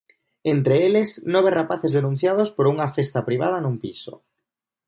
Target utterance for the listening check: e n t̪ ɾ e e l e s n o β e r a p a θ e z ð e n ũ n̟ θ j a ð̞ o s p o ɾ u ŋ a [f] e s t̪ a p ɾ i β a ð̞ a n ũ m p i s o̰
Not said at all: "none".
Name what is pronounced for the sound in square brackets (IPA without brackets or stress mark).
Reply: f